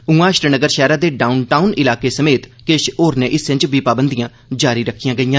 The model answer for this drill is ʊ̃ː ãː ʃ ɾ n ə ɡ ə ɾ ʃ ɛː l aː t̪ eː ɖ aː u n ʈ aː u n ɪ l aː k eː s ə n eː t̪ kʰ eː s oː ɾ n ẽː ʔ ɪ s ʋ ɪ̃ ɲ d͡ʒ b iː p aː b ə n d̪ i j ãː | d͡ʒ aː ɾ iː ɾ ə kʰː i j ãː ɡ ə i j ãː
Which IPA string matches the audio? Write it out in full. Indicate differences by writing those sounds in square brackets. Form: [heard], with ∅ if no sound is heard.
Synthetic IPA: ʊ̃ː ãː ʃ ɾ n ə ɡ ə ɾ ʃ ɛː [ɾ] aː [d̪] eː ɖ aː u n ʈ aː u n ɪ l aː k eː s ə [m] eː t̪ [k] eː [ʃ] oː ɾ n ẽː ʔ ɪ s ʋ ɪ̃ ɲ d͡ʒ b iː p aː b ə n d̪ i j ãː | d͡ʒ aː ɾ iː ɾ ə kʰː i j ãː ɡ ə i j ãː